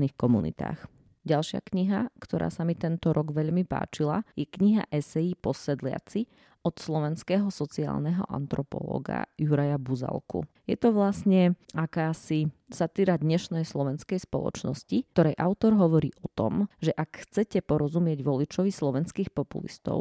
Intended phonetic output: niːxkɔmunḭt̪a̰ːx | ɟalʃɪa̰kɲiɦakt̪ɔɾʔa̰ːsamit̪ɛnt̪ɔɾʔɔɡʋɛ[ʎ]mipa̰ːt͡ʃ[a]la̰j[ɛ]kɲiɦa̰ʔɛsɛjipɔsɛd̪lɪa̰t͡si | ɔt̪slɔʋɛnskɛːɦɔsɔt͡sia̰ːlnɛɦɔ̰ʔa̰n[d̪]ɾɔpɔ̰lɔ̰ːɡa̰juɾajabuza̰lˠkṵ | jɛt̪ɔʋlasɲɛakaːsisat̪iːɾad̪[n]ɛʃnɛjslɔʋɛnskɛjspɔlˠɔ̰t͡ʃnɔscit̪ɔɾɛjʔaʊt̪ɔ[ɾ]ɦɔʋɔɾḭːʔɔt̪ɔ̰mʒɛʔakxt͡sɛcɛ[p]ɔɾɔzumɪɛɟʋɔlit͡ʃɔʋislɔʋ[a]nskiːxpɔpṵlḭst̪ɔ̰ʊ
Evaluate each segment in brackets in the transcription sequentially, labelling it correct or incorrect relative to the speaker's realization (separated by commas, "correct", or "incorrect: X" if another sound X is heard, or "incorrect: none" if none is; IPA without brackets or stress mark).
correct, incorrect: i, correct, incorrect: t̪, incorrect: ɲ, correct, correct, incorrect: ɛ